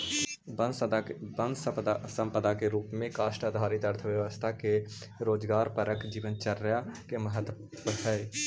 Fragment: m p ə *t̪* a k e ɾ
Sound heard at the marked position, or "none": d̪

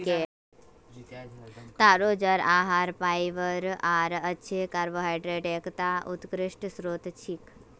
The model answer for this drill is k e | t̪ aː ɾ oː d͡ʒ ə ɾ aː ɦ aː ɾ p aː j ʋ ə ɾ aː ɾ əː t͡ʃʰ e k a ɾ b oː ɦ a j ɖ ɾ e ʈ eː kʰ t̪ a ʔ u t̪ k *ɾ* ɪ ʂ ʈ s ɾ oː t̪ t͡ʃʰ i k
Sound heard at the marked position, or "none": ɾ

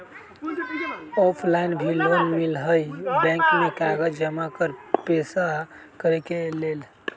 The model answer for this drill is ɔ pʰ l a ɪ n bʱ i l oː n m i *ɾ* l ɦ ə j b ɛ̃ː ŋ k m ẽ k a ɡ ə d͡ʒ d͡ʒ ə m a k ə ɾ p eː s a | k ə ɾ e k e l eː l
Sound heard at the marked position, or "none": none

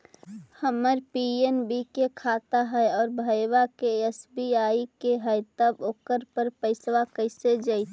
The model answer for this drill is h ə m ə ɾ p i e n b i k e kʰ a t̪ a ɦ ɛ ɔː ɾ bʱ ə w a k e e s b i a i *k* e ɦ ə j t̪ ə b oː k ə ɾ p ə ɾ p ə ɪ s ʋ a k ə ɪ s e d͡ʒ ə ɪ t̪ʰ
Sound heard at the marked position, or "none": k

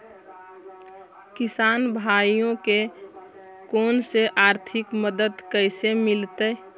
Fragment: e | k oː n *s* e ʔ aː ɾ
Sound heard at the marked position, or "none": s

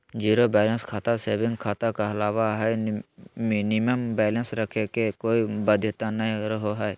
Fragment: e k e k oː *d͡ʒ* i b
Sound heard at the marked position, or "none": none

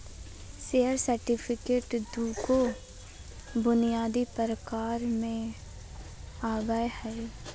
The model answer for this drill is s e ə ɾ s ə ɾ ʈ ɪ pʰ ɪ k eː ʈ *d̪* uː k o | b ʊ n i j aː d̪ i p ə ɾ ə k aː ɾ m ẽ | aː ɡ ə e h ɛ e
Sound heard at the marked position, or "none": d̪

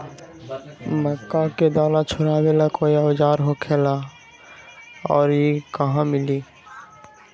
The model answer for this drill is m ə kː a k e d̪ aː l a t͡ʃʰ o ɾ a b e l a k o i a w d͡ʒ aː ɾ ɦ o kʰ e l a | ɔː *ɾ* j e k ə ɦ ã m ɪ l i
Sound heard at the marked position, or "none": ɾ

